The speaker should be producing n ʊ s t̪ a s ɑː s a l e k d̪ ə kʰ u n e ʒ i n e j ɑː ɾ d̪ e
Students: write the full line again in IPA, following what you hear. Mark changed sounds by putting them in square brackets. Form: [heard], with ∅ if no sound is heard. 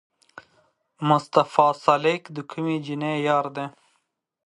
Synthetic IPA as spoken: [m] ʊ s t̪ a [f] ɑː s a l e k d̪ ə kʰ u [m] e [d͡ʒ] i n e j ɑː ɾ d̪ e